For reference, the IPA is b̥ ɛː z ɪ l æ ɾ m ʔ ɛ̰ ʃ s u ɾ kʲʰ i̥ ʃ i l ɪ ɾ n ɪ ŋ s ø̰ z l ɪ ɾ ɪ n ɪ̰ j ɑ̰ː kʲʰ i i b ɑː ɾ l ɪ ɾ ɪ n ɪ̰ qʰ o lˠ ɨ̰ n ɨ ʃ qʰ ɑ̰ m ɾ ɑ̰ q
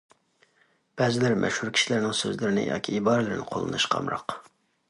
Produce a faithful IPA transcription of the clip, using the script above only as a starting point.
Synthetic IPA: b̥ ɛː z ɪ l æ ɾ m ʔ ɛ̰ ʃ h u ɾ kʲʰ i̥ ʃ i l ɪ ɾ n ɪ ŋ s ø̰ z l ɪ ɾ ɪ n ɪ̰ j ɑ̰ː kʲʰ i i b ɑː ɾ l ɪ ɾ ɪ n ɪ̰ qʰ o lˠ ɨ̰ n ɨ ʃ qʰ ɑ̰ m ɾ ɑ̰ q